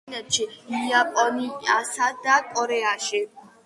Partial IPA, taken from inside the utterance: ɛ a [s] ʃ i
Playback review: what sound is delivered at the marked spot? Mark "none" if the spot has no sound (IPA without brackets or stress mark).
none